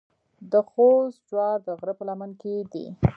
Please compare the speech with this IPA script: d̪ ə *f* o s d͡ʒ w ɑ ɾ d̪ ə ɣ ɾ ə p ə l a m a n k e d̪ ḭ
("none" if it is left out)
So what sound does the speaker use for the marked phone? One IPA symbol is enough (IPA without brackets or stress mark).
x